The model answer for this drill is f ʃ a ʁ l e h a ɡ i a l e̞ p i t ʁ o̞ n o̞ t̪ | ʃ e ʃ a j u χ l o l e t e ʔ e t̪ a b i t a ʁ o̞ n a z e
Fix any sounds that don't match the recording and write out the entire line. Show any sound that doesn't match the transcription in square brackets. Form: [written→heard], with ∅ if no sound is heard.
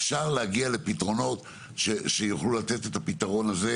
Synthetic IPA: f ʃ a ʁ l e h a ɡ i a l e̞ p i t ʁ o̞ n o̞ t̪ | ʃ e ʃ [a→e] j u χ l [o→u] l [e→a] t e [ʔ→t] e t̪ a [b→p] i t a ʁ o̞ n a z e